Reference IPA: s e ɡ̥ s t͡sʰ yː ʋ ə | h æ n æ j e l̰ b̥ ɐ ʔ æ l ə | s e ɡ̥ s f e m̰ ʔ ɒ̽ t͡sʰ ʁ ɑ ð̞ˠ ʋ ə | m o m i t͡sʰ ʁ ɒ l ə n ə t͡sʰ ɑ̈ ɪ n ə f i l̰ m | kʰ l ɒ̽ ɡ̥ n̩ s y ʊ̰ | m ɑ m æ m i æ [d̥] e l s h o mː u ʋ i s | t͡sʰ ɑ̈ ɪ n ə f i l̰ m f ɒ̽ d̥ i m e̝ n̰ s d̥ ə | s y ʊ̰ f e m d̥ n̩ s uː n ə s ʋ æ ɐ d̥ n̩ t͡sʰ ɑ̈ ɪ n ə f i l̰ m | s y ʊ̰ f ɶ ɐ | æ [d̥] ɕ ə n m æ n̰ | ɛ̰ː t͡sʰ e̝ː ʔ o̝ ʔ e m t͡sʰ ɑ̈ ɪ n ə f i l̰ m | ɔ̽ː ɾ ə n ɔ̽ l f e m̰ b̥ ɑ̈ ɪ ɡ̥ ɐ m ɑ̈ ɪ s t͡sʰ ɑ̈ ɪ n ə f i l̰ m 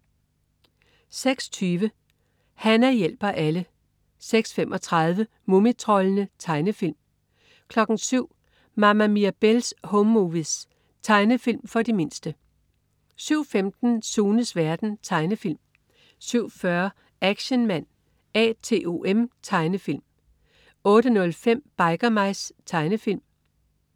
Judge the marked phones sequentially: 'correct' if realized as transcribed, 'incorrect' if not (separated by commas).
incorrect, incorrect